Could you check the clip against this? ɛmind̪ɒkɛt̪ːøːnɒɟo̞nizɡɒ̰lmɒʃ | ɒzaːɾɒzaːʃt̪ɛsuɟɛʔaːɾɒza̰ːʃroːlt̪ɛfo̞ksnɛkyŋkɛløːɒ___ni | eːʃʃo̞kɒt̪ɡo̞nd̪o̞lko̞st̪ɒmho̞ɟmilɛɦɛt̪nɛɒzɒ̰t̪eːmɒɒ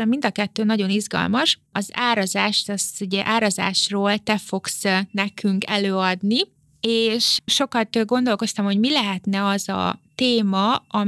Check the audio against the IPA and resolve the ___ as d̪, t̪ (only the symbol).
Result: d̪